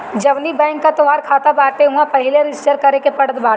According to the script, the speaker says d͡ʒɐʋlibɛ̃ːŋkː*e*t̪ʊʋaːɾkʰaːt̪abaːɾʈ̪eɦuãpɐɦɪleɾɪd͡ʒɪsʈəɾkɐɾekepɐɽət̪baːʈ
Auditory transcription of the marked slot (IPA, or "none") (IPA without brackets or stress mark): a